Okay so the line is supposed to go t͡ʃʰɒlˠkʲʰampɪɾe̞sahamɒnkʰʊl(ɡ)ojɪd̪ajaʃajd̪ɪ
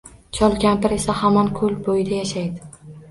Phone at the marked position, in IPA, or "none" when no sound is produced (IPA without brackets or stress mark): b